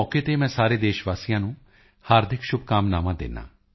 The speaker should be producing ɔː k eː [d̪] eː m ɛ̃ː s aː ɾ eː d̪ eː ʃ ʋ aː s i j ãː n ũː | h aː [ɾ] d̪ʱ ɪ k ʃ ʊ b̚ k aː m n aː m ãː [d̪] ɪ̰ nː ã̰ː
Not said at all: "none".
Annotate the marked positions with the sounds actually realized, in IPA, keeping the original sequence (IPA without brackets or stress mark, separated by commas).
t̪, ɾ, d̪